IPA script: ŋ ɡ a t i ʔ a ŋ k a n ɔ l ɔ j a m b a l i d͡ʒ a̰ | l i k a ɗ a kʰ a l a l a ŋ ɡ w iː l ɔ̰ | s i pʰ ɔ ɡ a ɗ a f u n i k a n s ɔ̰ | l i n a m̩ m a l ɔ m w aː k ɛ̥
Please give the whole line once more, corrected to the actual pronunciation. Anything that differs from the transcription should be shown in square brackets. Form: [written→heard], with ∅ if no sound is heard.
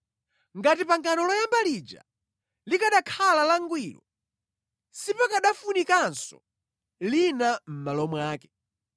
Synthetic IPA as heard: ŋ ɡ a t i [ʔ→p] a ŋ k a n ɔ l ɔ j a m b a l i d͡ʒ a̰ | l i k a ɗ a kʰ a l a l a ŋ ɡ w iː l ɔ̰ | s i [pʰ→p] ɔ [ɡ→k] a ɗ a f u n i k a n s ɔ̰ | l i n a m̩ m a l ɔ m w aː k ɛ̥